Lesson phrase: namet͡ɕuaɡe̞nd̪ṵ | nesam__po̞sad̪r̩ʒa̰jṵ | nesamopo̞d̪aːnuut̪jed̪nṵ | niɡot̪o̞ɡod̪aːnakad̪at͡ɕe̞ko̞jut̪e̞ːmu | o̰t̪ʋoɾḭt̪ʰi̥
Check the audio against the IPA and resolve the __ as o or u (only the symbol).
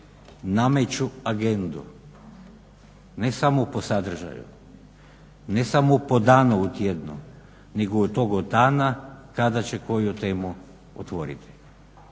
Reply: o